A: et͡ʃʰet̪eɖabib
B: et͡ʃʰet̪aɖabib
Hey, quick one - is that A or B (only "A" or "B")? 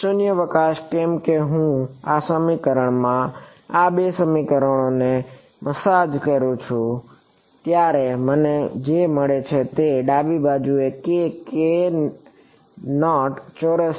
A